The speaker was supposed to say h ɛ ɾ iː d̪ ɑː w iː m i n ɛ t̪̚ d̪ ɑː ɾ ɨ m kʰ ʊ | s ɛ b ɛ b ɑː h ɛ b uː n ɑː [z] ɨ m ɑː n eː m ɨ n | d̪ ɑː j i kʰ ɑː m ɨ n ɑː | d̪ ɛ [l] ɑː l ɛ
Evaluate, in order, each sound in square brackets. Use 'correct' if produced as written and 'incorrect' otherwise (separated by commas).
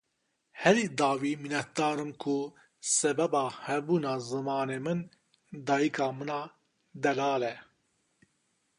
correct, correct